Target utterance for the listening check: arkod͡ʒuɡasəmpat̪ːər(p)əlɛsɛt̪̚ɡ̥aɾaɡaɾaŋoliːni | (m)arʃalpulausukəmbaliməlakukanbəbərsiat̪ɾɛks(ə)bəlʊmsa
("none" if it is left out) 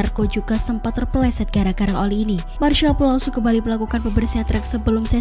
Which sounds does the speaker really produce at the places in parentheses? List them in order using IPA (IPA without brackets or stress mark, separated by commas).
p, m, ə